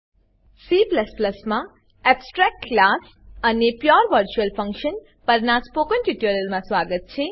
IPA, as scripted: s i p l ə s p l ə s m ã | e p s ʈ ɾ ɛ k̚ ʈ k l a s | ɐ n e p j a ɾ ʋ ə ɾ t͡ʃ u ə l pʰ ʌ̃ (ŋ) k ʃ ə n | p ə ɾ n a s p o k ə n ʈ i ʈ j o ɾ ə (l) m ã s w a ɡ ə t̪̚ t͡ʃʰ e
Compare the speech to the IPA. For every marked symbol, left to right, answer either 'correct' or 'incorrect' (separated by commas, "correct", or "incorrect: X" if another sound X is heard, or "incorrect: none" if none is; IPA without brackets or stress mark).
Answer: correct, correct